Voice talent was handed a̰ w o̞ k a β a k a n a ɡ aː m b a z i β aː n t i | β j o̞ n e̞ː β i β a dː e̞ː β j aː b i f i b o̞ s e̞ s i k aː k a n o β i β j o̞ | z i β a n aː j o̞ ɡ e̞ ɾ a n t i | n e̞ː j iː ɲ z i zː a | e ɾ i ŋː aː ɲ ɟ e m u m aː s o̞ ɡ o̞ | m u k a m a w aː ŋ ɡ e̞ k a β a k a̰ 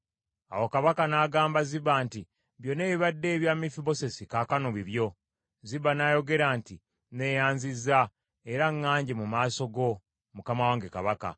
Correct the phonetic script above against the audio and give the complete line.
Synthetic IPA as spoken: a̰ w o̞ k a β a k a n a ɡ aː m b a z i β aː n t i | β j o̞ n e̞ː β i β a dː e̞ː β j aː m i f i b o̞ s e̞ s i k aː k a n o β i β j o̞ | z i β a n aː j o̞ ɡ e̞ ɾ a n t i | n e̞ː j aː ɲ z i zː a | e ɾ a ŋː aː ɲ ɟ e m u m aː s o̞ ɡ o̞ | m u k a m a w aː ŋ ɡ e̞ k a β a k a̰

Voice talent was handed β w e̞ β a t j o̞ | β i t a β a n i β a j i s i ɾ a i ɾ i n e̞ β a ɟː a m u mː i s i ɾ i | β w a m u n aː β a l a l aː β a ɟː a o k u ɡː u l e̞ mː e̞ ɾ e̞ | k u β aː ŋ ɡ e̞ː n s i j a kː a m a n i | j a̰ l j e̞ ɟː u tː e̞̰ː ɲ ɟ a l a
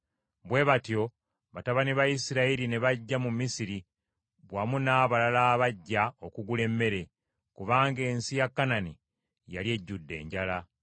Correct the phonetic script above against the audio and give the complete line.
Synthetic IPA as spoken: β w e̞ β a t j o̞ | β a t a β a n i β a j i s i ɾ a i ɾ i n e̞ β a ɟː a m u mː i s i ɾ i | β w a m u n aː β a l a l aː β a ɟː a o k u ɡ u l e̞ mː e̞ ɾ e̞ | k u β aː ŋ ɡ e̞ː n s i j a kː a n a n i | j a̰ l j e̞ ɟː u dː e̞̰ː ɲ ɟ a l a

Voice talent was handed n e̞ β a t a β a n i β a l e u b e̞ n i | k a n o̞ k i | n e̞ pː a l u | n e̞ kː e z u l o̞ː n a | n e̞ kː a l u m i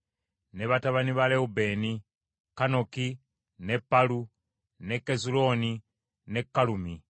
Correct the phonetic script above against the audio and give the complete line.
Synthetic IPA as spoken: n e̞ β a t a β a n i β a l e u b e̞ n i | k a n o̞ k i | n e̞ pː a l u | n e̞ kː e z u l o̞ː n i | n e̞ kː a l u m i

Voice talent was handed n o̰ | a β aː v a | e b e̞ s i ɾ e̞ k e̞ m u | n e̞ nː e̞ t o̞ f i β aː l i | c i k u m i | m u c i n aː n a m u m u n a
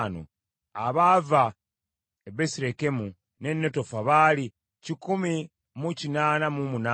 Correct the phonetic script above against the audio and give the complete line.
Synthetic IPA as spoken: n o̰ | a β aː v a | e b e̞ s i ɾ e̞ k e̞ m u | n e̞ nː e̞ t o̞ f a β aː l i | c i k u m i | m u c i n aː n a m u m u n a

